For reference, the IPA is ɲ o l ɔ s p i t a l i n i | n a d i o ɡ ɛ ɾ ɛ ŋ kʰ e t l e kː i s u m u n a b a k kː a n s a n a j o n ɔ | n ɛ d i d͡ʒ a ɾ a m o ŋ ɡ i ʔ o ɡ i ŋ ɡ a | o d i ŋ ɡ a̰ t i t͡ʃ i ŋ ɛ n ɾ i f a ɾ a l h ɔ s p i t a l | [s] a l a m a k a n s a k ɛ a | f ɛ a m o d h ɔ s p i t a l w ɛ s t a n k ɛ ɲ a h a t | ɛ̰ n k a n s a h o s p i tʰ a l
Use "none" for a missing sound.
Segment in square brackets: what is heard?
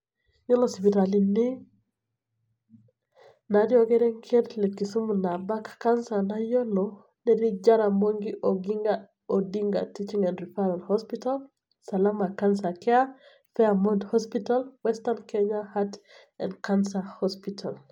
s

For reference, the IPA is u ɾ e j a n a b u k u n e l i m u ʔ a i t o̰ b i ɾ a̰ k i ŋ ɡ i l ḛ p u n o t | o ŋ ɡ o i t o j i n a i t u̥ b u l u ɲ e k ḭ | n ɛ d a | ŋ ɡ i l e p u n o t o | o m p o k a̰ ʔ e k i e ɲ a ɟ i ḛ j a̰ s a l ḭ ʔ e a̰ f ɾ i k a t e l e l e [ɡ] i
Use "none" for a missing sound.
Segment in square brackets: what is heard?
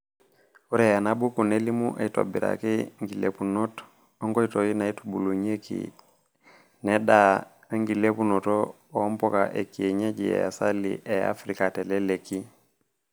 k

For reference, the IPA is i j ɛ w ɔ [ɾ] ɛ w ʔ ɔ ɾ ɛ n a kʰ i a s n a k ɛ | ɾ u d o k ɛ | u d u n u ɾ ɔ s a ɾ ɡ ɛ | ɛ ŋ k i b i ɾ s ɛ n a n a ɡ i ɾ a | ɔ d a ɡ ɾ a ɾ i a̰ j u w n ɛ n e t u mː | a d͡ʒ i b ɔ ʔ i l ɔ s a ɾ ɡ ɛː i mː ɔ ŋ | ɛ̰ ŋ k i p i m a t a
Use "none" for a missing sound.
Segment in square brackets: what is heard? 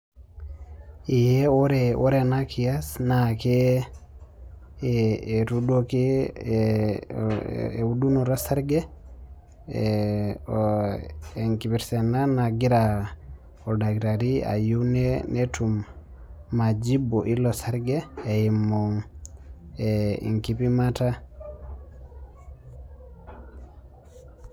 ɾ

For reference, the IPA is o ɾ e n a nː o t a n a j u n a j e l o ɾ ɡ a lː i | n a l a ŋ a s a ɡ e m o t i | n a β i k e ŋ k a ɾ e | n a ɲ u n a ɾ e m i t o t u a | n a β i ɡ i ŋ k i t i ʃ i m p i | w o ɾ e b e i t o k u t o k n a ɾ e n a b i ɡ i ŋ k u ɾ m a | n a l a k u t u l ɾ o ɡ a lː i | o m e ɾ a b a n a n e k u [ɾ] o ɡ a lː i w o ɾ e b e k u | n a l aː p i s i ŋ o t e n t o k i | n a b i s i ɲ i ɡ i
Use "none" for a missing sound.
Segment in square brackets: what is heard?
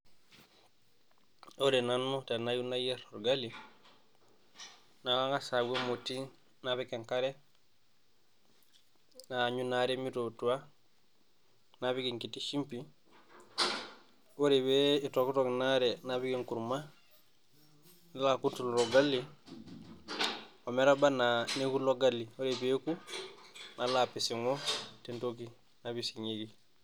l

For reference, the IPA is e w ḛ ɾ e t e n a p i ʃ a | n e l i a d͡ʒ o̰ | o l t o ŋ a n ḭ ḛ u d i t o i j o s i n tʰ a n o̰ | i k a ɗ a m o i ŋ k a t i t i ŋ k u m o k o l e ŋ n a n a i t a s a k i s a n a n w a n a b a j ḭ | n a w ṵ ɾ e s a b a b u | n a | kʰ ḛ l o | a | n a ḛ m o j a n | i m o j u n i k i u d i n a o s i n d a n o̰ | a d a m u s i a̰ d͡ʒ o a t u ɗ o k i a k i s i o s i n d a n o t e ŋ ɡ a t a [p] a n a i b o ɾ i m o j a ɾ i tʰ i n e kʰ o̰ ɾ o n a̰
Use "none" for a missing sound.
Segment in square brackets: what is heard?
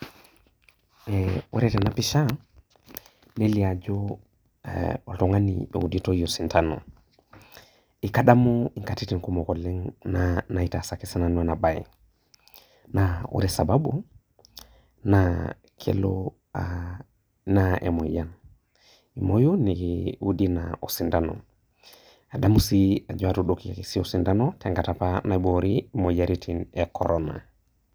p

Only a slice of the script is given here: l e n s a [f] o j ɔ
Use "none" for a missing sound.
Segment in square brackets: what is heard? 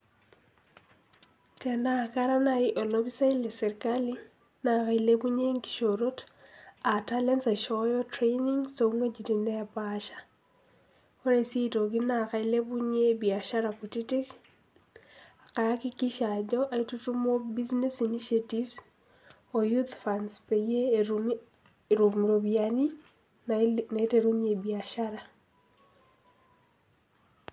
ʃ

